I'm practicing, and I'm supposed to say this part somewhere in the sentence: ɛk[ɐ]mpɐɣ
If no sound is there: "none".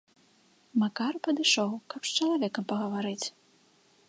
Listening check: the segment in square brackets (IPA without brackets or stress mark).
ɐ